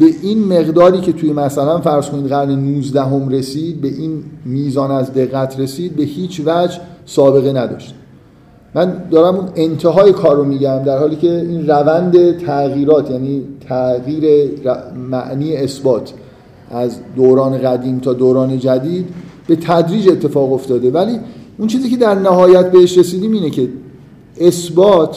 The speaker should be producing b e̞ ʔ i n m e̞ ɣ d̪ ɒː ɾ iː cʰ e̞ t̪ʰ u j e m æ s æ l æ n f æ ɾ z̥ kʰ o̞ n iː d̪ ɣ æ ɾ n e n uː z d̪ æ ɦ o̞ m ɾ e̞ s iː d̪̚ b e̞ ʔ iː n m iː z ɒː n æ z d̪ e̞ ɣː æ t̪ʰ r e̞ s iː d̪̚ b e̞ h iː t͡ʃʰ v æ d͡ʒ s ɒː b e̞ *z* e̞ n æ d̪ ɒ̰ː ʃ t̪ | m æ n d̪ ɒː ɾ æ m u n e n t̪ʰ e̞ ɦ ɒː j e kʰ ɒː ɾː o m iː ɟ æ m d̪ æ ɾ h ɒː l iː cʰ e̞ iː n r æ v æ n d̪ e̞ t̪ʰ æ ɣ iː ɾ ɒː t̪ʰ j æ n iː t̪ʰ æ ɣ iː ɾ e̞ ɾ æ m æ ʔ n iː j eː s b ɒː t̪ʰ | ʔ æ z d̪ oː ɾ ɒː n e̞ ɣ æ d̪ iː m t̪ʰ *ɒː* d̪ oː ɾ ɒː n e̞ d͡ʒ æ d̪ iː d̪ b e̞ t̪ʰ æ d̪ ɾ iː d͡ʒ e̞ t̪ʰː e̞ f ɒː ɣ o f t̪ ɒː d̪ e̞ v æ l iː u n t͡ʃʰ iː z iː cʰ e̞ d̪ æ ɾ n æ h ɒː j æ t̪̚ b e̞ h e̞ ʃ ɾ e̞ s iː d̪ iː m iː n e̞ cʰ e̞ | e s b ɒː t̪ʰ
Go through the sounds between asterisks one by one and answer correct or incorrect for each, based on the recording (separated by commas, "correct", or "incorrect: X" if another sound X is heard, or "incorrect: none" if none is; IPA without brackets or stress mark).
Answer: incorrect: ɣ, correct